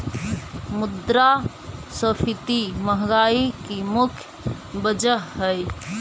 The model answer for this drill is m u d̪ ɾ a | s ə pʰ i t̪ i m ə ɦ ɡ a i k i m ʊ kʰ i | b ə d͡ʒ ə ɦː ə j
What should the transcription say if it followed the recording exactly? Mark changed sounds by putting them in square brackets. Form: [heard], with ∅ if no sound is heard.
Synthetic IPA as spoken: m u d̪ ɾ a | s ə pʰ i t̪ i m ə ɦ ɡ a i k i m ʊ kʰ [j] | b ə d͡ʒ ə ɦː ə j